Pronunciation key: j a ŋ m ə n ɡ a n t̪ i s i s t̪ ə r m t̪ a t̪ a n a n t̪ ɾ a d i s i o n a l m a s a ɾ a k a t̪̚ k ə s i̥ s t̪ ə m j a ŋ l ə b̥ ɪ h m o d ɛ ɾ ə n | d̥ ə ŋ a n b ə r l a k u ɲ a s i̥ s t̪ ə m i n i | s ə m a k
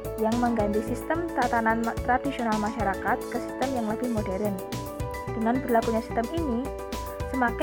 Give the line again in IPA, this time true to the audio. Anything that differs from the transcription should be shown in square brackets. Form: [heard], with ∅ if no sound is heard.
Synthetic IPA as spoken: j a ŋ m ə [ŋ] ɡ a n t̪ i s i s t̪ ə [∅] m t̪ a t̪ a n a n t̪ ɾ a d i s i o n a l m a [ʃ] a ɾ a k a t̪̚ k ə s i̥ s t̪ ə m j a ŋ l ə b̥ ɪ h m o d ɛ ɾ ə n | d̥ ə ŋ a n b ə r l a k u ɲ a s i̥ s t̪ ə m i n i | s ə m a k